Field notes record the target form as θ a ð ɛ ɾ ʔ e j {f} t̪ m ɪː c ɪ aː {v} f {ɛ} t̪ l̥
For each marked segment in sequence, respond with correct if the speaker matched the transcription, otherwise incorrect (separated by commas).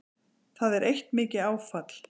incorrect, incorrect, incorrect